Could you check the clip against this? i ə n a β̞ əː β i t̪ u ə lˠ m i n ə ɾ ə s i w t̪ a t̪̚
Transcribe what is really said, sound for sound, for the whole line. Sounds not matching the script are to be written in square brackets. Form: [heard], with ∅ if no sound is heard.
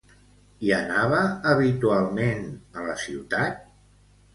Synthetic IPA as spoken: i ə n a β̞ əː β i t̪ u [a] lˠ m [e] n ə [l] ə s i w t̪ a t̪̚